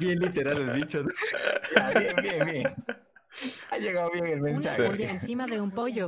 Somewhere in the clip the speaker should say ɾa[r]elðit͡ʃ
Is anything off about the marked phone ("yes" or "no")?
yes